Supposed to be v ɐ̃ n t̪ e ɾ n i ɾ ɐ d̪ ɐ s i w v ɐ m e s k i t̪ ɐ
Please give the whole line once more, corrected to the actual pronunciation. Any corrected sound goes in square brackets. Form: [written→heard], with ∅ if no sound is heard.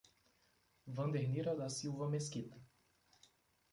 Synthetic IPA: v ɐ̃ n [t̪→d̪] e ɾ n i ɾ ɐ d̪ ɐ s i w v ɐ m e s k i t̪ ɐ